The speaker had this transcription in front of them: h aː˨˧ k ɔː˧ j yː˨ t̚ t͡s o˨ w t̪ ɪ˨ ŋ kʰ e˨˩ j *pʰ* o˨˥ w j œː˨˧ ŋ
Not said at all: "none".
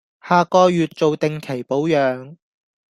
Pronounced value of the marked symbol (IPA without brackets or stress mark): p